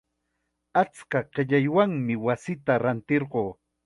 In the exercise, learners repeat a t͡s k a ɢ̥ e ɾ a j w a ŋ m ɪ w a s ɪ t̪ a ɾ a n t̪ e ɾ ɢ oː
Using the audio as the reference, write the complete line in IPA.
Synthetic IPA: a t͡s k a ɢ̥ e ʎ a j w a ŋ m ɪ w a s ɪ t̪ a ɾ a n t̪ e ɾ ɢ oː